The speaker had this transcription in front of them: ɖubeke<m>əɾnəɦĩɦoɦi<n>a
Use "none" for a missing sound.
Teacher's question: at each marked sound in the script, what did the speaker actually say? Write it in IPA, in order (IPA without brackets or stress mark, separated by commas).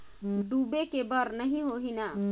b, n